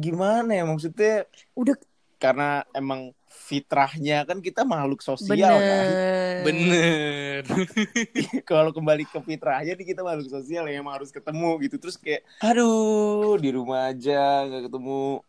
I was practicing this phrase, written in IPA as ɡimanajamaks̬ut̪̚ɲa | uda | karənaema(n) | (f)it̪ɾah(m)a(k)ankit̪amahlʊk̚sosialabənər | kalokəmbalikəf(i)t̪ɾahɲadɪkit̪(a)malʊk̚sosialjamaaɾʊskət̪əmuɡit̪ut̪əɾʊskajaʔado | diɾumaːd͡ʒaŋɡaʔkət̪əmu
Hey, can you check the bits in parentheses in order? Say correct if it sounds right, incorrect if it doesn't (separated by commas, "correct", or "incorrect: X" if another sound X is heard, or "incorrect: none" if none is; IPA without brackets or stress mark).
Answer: incorrect: ŋ, correct, incorrect: ɲ, correct, correct, correct